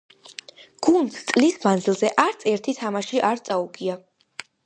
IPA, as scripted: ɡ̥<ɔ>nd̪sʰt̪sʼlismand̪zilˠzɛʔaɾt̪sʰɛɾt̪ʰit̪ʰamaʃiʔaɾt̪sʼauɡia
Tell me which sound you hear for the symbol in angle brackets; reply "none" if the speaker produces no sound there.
u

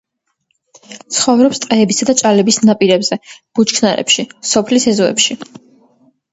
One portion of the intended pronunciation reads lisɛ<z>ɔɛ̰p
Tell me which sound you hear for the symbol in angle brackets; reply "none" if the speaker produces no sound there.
z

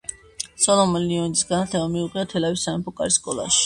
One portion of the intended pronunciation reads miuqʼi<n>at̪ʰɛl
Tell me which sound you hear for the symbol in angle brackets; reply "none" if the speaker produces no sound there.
none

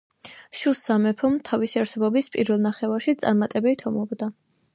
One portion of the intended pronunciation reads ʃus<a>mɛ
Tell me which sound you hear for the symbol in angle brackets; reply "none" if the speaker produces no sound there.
a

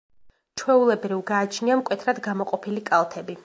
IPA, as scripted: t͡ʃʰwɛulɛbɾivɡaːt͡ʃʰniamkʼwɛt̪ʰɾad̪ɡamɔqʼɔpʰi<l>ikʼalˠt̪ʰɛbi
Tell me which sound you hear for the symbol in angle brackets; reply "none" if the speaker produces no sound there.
l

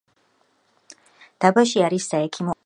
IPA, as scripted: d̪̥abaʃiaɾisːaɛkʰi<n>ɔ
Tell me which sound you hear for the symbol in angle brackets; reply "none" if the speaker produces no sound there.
m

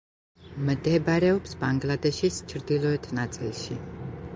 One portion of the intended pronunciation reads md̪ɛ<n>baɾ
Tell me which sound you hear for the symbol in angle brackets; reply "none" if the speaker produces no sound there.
none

